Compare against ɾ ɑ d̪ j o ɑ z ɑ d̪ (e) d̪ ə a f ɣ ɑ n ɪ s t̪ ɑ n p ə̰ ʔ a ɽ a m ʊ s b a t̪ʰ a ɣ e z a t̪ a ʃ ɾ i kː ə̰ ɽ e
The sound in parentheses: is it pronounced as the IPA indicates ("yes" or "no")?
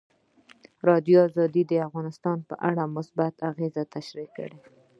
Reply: no